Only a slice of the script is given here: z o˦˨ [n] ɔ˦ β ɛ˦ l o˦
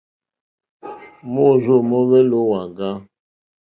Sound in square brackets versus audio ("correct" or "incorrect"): incorrect